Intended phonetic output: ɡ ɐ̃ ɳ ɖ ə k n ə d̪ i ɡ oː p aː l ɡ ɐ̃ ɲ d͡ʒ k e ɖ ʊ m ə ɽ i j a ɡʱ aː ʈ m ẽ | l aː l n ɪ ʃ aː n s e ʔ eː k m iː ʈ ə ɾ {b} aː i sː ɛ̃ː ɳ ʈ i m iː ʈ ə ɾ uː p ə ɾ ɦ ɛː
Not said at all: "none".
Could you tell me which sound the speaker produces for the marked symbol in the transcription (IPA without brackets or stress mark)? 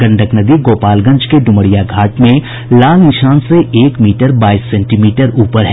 b